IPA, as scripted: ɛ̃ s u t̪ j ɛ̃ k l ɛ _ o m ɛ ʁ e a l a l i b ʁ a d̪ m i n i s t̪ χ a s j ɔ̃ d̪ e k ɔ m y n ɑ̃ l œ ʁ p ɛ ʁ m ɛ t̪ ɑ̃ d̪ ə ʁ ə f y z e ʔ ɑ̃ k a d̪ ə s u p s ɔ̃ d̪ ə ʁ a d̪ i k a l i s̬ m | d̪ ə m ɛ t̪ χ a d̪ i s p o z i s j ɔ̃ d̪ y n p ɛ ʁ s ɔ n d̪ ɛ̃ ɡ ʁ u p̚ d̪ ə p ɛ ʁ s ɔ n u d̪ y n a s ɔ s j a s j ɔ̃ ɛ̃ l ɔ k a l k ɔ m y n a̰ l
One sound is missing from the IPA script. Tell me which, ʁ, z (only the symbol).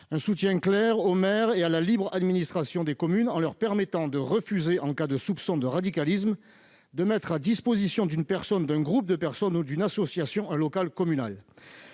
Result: ʁ